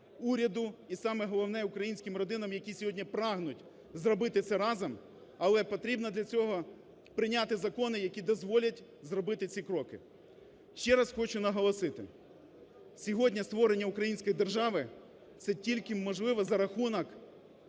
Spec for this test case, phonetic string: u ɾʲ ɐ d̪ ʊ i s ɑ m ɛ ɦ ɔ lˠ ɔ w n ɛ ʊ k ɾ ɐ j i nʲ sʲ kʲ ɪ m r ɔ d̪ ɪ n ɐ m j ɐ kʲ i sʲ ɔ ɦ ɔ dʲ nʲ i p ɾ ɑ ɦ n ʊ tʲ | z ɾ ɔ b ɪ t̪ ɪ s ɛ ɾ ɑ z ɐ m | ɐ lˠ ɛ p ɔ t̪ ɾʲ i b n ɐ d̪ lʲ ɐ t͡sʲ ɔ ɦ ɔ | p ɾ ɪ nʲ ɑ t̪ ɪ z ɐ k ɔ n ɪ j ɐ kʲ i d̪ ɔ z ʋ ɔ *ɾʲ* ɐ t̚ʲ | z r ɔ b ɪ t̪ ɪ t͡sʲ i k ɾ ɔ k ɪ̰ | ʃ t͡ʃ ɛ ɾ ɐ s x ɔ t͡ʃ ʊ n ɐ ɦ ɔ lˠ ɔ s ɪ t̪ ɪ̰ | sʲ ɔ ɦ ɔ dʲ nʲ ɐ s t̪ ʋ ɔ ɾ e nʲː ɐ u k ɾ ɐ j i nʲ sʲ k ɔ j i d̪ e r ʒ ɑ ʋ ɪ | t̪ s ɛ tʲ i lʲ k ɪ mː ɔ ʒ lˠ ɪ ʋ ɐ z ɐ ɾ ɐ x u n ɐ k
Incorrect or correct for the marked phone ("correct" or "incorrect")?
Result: incorrect